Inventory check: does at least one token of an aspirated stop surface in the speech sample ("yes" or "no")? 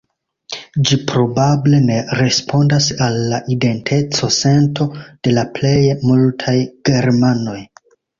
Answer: yes